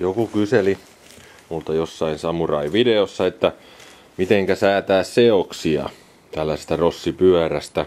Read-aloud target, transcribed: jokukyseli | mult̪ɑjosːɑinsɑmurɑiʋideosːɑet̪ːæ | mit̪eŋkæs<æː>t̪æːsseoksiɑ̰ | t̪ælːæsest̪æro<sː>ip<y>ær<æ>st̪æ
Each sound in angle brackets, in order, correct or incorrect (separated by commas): correct, correct, correct, correct